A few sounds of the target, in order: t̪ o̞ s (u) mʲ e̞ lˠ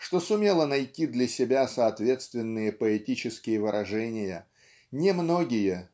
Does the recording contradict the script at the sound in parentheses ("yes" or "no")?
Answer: yes